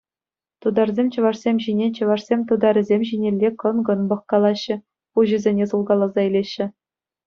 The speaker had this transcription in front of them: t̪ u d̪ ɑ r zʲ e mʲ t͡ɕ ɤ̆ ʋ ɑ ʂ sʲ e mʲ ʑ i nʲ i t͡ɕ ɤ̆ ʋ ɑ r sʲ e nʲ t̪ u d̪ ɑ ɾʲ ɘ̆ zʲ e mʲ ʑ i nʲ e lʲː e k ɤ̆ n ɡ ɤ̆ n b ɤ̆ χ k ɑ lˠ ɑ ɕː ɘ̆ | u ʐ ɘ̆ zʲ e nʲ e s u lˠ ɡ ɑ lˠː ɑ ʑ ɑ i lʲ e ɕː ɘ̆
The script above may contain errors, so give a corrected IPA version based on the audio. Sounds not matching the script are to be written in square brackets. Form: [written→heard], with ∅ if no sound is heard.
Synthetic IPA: t̪ u d̪ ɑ r zʲ e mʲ t͡ɕ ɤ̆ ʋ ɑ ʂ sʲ e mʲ ʑ i nʲ [i→e] t͡ɕ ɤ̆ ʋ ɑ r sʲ e [nʲ→mʲ] t̪ u d̪ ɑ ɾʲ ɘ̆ zʲ e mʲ ʑ i nʲ e lʲː e k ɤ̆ n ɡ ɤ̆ n b ɤ̆ χ k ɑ lˠ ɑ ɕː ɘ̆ | u [ʐ→ʑ] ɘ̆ zʲ e nʲ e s u lˠ ɡ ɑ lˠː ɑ [ʑ→z] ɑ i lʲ e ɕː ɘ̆